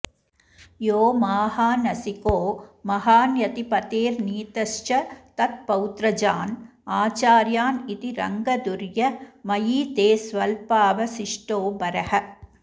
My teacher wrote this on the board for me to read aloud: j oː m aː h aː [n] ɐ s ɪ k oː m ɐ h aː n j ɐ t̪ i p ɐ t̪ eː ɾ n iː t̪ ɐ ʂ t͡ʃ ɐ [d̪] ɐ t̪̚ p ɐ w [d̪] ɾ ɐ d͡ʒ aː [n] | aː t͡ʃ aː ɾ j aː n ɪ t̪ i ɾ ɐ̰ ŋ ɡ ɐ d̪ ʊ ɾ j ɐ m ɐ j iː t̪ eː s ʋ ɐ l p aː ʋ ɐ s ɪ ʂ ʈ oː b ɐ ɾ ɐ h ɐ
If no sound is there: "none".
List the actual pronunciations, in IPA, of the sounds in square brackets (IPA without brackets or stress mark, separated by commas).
n, t̪, t̪, n